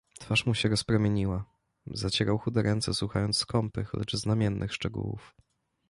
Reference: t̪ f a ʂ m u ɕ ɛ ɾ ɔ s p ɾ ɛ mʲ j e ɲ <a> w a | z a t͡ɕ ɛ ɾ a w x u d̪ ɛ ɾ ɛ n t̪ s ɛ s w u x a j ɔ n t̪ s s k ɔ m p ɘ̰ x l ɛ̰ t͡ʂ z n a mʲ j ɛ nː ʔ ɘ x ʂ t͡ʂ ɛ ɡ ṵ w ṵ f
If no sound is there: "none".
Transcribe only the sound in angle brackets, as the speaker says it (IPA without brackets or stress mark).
i